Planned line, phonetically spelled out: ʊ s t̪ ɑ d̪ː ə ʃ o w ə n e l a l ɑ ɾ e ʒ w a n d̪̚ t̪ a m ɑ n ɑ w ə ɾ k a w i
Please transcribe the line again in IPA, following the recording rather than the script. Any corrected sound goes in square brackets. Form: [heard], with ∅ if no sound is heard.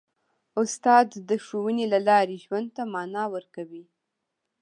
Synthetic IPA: ʊ s t̪ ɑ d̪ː ə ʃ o w ə n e l a l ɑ ɾ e ʒ w a n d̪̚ t̪ a m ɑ n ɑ w ə ɾ k a w i